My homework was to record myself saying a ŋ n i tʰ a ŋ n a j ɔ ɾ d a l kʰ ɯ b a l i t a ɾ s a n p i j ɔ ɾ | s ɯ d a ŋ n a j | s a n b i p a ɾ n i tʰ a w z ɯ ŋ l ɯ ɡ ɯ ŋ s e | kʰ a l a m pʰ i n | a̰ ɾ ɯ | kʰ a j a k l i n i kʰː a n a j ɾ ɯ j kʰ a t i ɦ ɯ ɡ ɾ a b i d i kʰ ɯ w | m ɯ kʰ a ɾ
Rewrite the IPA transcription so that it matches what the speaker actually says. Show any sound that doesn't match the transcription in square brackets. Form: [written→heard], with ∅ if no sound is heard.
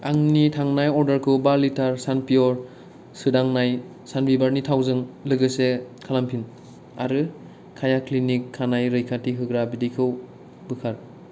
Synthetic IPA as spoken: a ŋ n i tʰ a ŋ n a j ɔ ɾ d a [l→ɾ] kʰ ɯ b a l i t a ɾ s a n p i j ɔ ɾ | s ɯ d a ŋ n a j | s a n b i [p→b] a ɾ n i tʰ a w z ɯ ŋ l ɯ ɡ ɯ [ŋ→∅] s e | kʰ a l a m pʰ i n | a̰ ɾ ɯ | kʰ a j a k l i n i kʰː a n a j ɾ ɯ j kʰ a t i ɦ ɯ ɡ ɾ a b i d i kʰ ɯ w | [m→b] ɯ kʰ a ɾ

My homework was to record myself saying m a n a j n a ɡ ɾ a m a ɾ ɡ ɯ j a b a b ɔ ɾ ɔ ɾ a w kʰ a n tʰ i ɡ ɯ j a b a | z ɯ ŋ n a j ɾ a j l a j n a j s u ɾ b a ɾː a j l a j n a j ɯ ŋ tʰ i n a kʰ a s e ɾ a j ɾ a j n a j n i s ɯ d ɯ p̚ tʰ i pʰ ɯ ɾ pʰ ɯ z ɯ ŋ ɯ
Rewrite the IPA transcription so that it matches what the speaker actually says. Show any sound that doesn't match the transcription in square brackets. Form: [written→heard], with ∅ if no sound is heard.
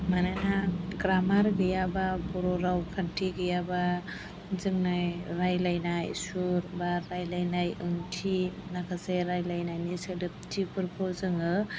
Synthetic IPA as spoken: m a n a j n a ɡ ɾ a m a ɾ ɡ ɯ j a b a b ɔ ɾ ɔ ɾ a w kʰ a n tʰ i ɡ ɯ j a b a | z ɯ ŋ n a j ɾ a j l a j n a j s u ɾ b a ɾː a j l a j n a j ɯ ŋ tʰ i n a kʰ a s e ɾ a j [ɾ→l] a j n a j n i s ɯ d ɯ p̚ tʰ i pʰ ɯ ɾ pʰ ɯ z ɯ ŋ ɯ

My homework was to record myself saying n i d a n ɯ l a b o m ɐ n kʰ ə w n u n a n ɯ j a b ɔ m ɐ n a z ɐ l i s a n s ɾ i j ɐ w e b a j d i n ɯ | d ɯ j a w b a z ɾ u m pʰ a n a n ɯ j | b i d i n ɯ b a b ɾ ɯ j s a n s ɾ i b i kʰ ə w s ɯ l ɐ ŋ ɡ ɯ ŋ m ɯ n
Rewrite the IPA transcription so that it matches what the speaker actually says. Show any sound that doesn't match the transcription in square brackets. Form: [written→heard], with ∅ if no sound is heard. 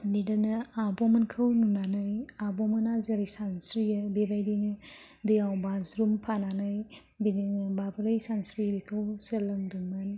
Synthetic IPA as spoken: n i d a n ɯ [l→∅] a b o m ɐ n kʰ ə w n u n a n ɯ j a b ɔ m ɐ n a z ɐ [l→ɾ] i s a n s ɾ i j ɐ [w→b] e b a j d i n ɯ | d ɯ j a w b a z ɾ u m pʰ a n a n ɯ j | b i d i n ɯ b a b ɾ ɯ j s a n s ɾ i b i kʰ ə w s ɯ l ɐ ŋ [ɡ→d] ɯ ŋ m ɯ n

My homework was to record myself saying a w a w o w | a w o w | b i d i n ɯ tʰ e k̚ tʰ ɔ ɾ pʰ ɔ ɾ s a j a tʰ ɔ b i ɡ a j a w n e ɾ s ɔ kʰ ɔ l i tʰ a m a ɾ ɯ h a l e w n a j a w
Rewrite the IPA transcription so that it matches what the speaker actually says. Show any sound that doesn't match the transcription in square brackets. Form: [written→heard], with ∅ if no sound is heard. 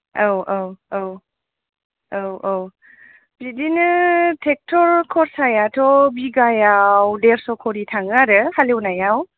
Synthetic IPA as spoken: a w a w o w | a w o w | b i d i n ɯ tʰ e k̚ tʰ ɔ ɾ [pʰ→kʰ] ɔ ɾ s a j a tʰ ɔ b i ɡ a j a w [n→d] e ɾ s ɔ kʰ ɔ [l→ɾ] i tʰ a [m→ŋ] a ɾ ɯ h a l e w n a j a w

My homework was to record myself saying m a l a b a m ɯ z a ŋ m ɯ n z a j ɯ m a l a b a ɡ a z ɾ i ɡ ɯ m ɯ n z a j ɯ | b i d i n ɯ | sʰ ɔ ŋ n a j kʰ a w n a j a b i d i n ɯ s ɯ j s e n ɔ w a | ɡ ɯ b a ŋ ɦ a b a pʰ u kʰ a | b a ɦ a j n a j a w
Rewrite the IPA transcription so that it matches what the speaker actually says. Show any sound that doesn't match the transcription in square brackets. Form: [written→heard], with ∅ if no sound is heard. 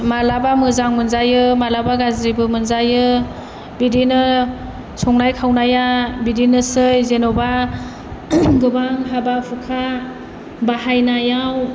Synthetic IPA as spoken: m a l a b a m ɯ z a ŋ m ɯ n z a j ɯ m a l a b a ɡ a z ɾ i [ɡ→b] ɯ m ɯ n z a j ɯ | b i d i n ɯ | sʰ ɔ ŋ n a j kʰ a w n a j a b i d i n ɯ s ɯ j [s→z] e n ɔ [w→b] a | ɡ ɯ b a ŋ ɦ a b a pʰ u kʰ a | b a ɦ a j n a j a w

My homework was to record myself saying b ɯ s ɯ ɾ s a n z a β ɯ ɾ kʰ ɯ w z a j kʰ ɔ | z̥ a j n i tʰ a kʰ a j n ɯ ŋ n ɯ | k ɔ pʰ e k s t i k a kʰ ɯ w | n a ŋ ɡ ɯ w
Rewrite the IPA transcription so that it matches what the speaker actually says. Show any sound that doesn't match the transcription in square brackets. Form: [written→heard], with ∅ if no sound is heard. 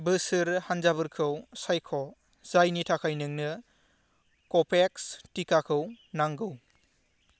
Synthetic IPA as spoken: b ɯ s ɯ ɾ [s→h] a n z a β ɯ ɾ kʰ ɯ w [z→s] a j kʰ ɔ | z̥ a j n i tʰ a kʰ a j n ɯ ŋ n ɯ | k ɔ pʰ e k s t i k a kʰ ɯ w | n a ŋ ɡ ɯ w

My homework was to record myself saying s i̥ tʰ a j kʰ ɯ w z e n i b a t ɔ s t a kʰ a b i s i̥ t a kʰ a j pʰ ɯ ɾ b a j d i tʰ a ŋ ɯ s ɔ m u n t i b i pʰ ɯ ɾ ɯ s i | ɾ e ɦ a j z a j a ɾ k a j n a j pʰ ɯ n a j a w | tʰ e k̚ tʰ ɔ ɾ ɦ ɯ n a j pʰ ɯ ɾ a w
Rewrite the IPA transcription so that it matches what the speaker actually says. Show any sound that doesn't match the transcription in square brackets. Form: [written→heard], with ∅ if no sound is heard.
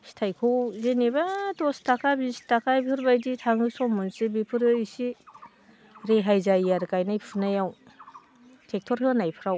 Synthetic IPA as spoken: s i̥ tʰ a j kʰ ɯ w z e n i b a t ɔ s t a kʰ a b i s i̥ t a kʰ a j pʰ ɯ ɾ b a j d i tʰ a ŋ ɯ s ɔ m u n [t→s] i b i pʰ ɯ ɾ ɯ s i | ɾ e ɦ a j z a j a ɾ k a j n a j pʰ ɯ n a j a w | tʰ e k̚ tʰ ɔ ɾ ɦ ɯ n a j pʰ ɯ ɾ a w

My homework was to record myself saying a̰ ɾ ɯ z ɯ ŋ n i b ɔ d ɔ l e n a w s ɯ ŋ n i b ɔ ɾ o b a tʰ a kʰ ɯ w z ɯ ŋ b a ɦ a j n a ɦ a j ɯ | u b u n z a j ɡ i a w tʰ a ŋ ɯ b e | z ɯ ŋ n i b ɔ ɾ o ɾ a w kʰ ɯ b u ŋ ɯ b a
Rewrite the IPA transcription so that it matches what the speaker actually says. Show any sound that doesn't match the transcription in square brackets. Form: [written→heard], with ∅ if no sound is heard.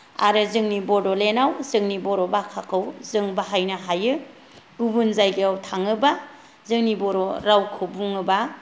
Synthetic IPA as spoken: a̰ ɾ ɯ z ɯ ŋ n i b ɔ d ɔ l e n a w [s→z] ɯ ŋ n i b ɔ ɾ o b a [tʰ→kʰ] a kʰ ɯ w z ɯ ŋ b a ɦ a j n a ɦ a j ɯ | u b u n z a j ɡ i a w tʰ a ŋ ɯ b [e→a] | z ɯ ŋ n i b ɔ ɾ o ɾ a w kʰ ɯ b u ŋ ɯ b a

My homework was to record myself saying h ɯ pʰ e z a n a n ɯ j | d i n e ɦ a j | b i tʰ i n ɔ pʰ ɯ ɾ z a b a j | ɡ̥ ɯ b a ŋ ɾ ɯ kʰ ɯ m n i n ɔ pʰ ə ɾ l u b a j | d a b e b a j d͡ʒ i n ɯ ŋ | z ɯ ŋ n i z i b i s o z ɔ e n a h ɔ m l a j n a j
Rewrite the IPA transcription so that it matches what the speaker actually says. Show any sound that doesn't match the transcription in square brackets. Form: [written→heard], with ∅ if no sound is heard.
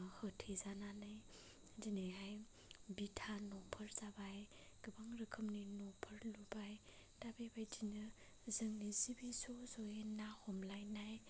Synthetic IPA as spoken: h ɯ [pʰ→tʰ] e z a n a n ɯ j | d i n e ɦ a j | b i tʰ [i→a] n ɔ pʰ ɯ ɾ z a b a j | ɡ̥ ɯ b a ŋ ɾ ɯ kʰ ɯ m n i n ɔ pʰ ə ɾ l u b a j | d a b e b a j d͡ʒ i n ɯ [ŋ→∅] | z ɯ ŋ n i z i b i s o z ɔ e n a h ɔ m l a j n a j

